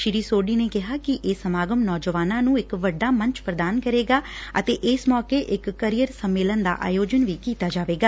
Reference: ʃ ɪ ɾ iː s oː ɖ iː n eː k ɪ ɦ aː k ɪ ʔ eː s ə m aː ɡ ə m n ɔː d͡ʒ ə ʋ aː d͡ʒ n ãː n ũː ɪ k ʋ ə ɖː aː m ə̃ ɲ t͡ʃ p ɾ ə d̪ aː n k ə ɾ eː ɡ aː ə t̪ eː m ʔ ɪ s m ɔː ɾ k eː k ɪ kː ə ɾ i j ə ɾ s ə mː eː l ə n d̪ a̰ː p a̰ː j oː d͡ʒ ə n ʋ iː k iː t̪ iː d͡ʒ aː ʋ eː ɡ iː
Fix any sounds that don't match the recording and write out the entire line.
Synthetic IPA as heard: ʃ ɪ ɾ iː s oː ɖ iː n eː k ɪ ɦ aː k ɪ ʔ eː s ə m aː ɡ ə m n ɔː d͡ʒ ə ʋ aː n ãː n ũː ɪ k ʋ ə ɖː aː m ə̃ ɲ t͡ʃ p ɾ ə d̪ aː n k ə ɾ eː ɡ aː ə t̪ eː ʔ ɪ s m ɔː k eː ʔ ɪ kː ə ɾ i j ə ɾ s ə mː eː l ə n d̪ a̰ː ʔ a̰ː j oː d͡ʒ ə n ʋ iː k iː t̪ aː d͡ʒ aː ʋ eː ɡ aː